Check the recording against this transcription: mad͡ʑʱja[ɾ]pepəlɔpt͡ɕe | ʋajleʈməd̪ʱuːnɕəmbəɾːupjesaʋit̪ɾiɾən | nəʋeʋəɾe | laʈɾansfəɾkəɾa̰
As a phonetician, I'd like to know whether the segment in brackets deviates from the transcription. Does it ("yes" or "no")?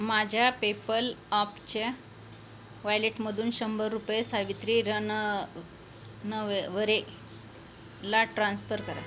yes